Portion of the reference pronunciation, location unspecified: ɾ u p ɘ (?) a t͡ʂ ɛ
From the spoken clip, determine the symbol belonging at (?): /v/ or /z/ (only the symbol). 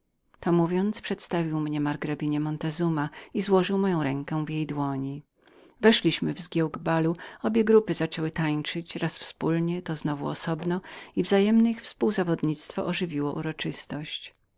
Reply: z